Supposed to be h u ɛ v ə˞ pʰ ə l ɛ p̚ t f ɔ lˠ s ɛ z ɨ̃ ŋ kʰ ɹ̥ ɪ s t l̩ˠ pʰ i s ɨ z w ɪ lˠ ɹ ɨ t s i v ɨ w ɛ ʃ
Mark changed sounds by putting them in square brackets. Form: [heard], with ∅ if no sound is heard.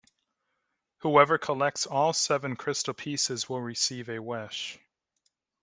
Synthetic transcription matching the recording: h u ɛ v ə˞ [kʰ] ə l ɛ [k̚] t [s] ɔ lˠ s ɛ [v] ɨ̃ [n] kʰ ɹ̥ ɪ s t l̩ˠ pʰ i s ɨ z w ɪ lˠ ɹ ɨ [∅] s i v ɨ w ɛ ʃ